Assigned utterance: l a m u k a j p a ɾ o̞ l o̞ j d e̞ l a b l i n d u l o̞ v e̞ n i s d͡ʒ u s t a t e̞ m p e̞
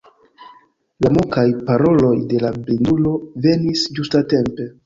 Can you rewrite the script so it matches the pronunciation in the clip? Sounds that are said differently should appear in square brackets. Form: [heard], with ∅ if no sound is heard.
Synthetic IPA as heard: l a m u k a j p a ɾ o̞ l o̞ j d e̞ l a b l i n d u l o̞ v e̞ n i s d͡ʒ u s t a t e̞ m p e̞